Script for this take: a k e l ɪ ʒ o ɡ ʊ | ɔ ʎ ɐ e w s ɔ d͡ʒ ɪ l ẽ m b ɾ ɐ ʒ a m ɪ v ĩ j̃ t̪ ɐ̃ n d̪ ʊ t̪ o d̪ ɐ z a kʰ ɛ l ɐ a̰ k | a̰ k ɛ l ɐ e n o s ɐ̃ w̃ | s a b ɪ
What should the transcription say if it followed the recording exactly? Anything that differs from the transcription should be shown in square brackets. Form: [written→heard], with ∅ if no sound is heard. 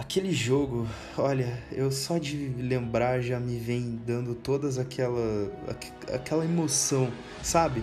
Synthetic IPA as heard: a k e l ɪ ʒ o ɡ ʊ | ɔ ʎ ɐ e w s ɔ d͡ʒ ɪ l ẽ m b ɾ [ɐ→a] ʒ a m ɪ v [ĩ→ẽ] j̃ [t̪→d̪] ɐ̃ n d̪ ʊ t̪ o d̪ ɐ z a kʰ ɛ l ɐ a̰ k | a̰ k ɛ l ɐ e [n→m] o s ɐ̃ w̃ | s a b ɪ